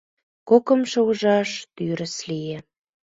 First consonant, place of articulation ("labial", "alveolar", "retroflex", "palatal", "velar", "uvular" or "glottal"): velar